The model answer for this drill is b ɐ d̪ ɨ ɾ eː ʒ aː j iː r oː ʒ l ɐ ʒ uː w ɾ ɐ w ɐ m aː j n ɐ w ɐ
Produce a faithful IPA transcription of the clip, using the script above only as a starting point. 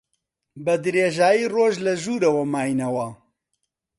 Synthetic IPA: b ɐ d̪ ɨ ɾ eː ʒ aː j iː r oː ʒ l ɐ ʒ uː ɾ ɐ w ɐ m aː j n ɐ w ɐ

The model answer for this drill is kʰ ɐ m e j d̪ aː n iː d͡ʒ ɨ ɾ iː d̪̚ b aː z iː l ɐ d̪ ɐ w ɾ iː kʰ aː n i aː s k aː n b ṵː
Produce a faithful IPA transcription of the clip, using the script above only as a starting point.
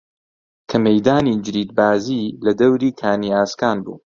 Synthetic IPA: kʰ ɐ m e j d̪ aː n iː d͡ʒ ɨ ɾ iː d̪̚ b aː z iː l ɐ d̪ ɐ w ɾ iː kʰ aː n i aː s k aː n b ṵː

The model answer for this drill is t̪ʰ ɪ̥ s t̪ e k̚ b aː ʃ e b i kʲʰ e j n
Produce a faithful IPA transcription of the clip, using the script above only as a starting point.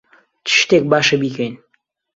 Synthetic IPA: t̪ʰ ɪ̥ ʃ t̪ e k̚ b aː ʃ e b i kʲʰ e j n

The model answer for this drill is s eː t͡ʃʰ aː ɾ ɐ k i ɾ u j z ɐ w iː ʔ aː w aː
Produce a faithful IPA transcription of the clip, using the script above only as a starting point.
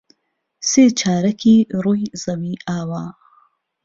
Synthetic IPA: s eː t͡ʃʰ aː ɾ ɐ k i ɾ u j z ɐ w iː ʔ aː w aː

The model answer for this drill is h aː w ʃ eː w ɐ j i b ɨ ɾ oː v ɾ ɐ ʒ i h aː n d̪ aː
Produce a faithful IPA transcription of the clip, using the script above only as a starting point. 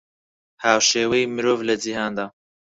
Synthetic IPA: h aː w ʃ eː w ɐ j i m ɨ ɾ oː v l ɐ d͡ʒ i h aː n d̪ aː

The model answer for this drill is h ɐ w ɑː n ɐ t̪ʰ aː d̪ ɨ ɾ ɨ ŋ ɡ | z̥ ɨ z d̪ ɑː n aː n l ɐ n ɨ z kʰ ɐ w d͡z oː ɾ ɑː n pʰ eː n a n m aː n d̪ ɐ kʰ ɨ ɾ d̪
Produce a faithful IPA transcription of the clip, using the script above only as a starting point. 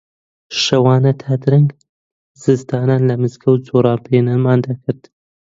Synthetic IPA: ʃ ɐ w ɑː n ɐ t̪ʰ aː d̪ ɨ ɾ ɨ ŋ ɡ | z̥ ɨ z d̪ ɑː n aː n l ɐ m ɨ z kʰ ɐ w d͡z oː ɾ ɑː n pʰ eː n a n m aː n d̪ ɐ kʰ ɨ ɾ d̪

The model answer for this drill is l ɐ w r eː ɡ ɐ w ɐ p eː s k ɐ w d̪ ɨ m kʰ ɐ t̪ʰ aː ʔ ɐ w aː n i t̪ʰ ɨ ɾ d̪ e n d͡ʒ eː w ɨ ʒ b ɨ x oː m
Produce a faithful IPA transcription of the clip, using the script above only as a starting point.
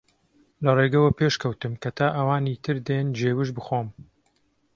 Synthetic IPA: l ɐ r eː ɡ ɐ w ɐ p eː ʃ k ɐ w t̪ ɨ m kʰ ɐ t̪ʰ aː ʔ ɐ w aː n i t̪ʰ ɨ ɾ d̪ e n d͡ʒ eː w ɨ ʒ b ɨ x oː m

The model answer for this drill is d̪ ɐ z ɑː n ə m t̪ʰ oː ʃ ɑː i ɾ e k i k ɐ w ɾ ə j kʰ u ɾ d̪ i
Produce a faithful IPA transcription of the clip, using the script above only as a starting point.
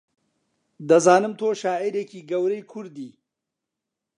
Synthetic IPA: d̪ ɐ z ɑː n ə m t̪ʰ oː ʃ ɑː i ɾ e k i ɡ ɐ w ɾ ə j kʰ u ɾ d̪ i

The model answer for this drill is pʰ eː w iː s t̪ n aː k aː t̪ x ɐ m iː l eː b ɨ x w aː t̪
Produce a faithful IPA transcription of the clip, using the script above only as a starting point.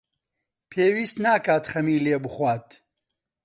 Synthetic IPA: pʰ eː w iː s t̪ n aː k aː t̪ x ɐ m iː l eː b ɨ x w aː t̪

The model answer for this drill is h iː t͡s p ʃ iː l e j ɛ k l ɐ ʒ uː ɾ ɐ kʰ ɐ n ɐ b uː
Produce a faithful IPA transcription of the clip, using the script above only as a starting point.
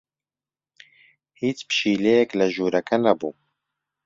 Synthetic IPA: h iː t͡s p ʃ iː l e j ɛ k l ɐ ʒ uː ɾ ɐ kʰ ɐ n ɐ b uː

